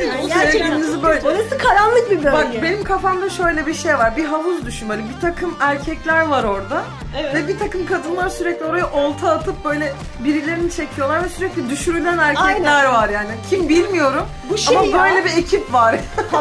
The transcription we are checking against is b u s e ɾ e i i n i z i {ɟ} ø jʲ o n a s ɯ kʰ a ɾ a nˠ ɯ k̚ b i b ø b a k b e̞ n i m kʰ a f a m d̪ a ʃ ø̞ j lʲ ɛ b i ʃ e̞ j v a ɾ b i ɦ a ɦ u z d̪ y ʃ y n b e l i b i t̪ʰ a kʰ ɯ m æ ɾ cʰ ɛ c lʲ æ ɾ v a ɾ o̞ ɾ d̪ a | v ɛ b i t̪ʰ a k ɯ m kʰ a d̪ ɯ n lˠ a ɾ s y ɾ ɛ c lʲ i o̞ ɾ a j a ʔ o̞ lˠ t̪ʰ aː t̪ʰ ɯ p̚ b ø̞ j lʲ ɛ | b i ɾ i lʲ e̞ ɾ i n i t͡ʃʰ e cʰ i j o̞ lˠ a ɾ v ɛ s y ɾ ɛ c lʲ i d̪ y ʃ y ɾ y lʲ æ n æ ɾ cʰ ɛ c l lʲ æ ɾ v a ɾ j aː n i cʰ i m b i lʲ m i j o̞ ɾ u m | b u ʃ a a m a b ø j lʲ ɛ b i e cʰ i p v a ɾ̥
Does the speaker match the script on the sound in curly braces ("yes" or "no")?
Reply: no